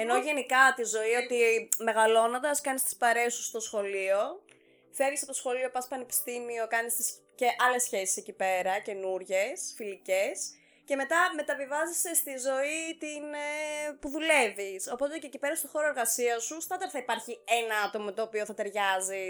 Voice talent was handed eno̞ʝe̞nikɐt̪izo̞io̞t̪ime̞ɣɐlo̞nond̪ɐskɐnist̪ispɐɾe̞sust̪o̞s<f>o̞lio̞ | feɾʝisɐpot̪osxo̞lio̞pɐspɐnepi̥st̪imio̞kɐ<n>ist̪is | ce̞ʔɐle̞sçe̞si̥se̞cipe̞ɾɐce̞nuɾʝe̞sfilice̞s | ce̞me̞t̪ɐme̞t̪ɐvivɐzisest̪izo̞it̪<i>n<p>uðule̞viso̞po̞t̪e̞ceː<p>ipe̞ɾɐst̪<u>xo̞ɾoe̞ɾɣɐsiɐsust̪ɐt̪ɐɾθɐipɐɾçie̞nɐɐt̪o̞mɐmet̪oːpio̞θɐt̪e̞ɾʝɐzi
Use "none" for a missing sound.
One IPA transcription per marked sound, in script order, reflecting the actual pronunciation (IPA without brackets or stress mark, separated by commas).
x, n, i, p, c, o